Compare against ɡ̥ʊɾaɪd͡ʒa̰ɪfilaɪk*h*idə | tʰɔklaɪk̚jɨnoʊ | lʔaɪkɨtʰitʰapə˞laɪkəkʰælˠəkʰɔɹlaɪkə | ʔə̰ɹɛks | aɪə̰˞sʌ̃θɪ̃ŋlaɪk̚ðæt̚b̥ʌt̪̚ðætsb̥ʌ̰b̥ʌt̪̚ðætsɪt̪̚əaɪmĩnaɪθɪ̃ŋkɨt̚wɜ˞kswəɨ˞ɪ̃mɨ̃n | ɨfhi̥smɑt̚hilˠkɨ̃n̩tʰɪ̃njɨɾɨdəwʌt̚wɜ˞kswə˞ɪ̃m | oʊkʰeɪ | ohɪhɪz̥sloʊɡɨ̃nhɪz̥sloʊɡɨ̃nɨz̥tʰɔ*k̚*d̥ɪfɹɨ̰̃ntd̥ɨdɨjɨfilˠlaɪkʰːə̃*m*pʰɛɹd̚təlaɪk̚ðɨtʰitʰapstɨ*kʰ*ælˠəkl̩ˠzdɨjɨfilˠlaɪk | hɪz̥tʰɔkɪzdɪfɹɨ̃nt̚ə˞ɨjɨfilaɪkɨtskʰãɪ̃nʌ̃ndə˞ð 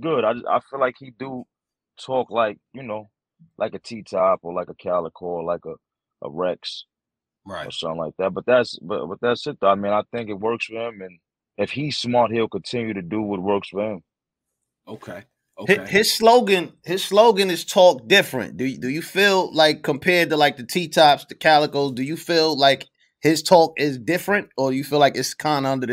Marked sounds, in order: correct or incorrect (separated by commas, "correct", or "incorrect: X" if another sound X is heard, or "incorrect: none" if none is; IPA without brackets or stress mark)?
correct, correct, correct, correct